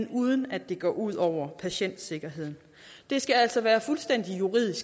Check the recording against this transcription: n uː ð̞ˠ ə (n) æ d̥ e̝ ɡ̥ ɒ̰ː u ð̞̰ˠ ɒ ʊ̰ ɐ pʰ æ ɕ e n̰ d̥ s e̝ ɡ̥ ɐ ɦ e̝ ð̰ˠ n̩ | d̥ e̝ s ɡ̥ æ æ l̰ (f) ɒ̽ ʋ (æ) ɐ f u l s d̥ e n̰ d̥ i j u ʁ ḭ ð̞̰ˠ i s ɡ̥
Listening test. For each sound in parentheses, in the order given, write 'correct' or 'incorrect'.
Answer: correct, incorrect, incorrect

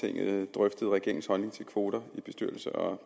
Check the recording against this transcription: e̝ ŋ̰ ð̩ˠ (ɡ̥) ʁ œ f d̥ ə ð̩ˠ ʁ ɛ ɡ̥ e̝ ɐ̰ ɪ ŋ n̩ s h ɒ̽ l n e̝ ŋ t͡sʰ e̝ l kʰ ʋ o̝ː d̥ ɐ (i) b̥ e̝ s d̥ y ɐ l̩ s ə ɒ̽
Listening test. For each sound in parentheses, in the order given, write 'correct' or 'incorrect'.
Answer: incorrect, correct

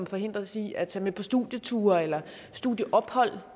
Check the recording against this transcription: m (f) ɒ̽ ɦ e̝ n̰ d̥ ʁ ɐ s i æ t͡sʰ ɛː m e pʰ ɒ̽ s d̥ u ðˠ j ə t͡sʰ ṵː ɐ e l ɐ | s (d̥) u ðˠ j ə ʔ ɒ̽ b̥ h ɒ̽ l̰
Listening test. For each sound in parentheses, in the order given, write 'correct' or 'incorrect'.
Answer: correct, correct

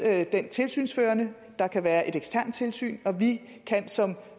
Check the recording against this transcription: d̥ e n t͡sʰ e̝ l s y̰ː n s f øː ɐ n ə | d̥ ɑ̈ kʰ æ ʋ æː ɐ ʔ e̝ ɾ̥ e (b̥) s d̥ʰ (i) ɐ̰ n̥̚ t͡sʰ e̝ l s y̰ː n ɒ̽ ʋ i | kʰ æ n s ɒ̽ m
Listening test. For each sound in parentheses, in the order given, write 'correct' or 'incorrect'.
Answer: incorrect, incorrect

